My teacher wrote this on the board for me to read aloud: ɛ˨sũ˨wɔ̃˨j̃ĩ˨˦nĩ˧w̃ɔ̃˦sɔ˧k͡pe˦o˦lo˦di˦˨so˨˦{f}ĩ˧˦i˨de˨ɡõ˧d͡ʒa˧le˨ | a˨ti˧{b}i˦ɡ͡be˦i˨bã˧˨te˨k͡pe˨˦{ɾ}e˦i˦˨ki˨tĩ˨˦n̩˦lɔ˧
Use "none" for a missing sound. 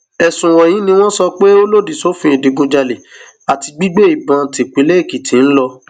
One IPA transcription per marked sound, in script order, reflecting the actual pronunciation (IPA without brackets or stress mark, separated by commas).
f, ɡ͡b, l